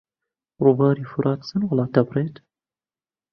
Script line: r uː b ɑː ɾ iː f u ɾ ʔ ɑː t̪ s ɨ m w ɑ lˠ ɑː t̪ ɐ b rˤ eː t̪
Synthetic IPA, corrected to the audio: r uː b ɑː ɾ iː f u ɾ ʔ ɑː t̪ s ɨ n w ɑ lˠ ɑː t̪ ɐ b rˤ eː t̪